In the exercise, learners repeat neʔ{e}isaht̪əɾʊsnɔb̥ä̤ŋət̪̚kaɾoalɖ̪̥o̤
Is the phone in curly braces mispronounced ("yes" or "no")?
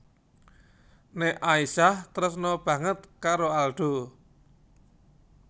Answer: yes